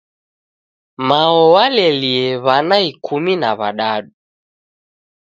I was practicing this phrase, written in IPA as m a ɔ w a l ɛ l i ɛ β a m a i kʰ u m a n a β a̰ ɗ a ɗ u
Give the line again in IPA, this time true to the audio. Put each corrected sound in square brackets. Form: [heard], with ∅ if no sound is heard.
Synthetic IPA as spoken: m a ɔ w a l ɛ l i ɛ β a [n] a i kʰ u m [i] n a β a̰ ɗ a ɗ u

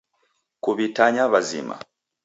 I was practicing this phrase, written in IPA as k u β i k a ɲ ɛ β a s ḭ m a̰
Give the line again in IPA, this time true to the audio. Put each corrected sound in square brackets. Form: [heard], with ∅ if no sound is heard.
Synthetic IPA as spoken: k u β i [t] a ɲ [a] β a [z] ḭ m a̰

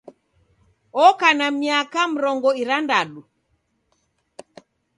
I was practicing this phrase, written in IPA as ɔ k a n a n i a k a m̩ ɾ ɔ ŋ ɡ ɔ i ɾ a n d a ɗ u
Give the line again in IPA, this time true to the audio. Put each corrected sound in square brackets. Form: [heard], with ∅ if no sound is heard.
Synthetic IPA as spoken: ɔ k a n a [m] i a k a m̩ ɾ ɔ ŋ ɡ ɔ i ɾ a n d a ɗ u

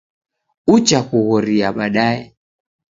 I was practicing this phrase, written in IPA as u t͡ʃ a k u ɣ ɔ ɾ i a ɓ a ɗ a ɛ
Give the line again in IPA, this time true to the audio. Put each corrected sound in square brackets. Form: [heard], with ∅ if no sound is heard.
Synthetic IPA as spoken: u t͡ʃ a k u ɣ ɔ ɾ i a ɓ a ɗ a ɛ

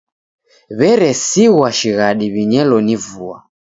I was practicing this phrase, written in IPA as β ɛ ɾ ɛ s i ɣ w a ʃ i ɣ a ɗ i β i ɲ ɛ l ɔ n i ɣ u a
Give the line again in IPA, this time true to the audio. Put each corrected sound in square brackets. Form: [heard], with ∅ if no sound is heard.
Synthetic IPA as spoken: β ɛ ɾ ɛ s i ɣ w a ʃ i ɣ a ɗ i β i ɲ ɛ l ɔ n i [v] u a

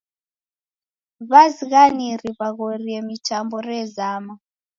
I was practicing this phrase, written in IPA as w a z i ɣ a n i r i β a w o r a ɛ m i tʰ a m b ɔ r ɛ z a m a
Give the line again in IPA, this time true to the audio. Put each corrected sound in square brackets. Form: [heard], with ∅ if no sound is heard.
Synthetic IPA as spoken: [β] a z i ɣ a n i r i β a [ɣ] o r [i] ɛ m i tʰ a m b ɔ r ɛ z a m a

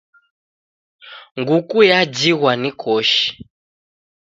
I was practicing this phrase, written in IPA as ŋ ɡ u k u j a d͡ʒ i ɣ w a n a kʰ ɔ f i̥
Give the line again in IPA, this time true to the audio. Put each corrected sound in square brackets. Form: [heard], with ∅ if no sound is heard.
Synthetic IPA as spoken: ŋ ɡ u k u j a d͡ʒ i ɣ w a n [i] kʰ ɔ [ʃ] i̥

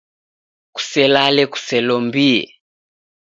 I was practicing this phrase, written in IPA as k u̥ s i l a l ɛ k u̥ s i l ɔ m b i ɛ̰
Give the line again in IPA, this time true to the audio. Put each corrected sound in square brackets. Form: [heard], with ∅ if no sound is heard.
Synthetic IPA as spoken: k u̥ s [ɛ] l a l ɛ k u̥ s [ɛ] l ɔ m b i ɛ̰

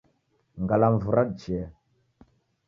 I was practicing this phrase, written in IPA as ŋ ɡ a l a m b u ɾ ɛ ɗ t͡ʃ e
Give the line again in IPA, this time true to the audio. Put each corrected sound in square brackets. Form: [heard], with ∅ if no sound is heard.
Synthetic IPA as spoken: ŋ ɡ a l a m [v] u ɾ [a] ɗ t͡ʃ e

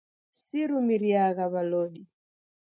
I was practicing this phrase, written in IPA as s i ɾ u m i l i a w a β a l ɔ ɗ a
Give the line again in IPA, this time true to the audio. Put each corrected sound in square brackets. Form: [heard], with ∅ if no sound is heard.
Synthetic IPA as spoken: s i ɾ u m i [ɾ] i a [ɣ] a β a l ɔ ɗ [i]

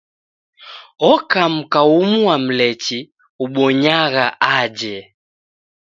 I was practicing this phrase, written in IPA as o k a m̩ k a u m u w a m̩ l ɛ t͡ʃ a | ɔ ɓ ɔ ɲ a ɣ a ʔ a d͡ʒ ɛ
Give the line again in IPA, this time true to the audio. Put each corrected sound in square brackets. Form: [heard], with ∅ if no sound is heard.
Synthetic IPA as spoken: [ɔ] k a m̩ k a u m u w a m̩ l ɛ t͡ʃ [i] | [u] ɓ ɔ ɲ a ɣ a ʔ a d͡ʒ ɛ

